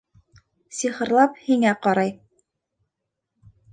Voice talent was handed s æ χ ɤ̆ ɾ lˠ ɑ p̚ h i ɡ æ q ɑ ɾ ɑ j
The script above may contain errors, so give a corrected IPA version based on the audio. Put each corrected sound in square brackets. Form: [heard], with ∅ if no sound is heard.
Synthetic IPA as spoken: s [i] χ ɤ̆ ɾ lˠ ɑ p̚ h i [ŋ] æ q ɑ ɾ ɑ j